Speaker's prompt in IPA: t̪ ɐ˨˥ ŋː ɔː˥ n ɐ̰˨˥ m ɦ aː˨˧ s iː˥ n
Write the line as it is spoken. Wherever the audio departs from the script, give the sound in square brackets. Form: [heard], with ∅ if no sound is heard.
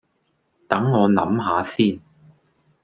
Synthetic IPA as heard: t̪ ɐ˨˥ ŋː [ɔː˨˧] n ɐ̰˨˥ m ɦ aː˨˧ s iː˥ n